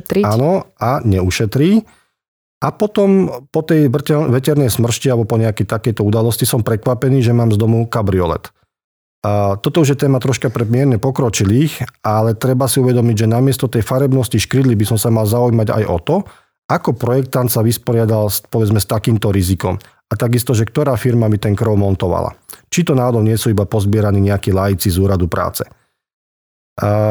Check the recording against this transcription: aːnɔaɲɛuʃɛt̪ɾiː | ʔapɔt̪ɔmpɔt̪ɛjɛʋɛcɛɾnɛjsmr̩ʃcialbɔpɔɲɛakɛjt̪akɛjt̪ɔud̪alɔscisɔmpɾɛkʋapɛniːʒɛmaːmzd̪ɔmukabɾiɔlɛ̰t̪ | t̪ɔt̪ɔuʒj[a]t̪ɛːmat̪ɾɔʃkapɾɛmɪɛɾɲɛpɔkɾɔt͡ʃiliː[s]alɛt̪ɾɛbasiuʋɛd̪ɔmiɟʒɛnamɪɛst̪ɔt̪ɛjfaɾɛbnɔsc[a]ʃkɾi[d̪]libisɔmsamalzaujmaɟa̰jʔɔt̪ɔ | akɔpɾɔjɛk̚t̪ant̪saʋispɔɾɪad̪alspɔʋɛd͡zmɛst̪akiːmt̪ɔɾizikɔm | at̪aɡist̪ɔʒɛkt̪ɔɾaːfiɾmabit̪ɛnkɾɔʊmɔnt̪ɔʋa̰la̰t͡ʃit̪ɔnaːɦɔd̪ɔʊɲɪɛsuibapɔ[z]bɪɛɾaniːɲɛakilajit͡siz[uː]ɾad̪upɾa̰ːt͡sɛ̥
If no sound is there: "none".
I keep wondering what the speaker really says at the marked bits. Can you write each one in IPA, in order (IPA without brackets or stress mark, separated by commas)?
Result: ɛ, x, i, d̪, z, uː